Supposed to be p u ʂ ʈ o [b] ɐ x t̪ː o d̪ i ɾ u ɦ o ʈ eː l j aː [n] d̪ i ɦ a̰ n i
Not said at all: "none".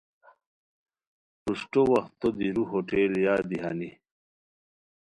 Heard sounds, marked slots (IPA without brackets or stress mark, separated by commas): w, none